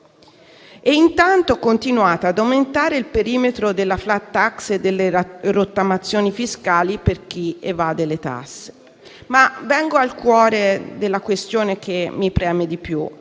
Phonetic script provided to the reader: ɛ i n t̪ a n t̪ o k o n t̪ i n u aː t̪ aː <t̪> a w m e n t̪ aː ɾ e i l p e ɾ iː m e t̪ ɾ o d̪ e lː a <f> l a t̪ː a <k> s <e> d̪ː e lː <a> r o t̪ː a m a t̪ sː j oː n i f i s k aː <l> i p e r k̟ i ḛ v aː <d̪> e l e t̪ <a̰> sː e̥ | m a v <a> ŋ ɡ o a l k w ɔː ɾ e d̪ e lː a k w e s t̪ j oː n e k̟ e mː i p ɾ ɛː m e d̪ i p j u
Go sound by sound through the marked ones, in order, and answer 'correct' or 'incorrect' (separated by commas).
incorrect, correct, correct, correct, incorrect, correct, correct, correct, incorrect